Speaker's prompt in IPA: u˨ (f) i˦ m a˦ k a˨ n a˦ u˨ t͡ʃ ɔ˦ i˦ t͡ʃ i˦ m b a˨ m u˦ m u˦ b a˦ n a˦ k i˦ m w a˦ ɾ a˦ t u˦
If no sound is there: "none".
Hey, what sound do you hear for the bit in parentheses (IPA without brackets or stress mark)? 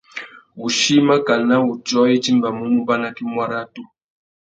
ʃ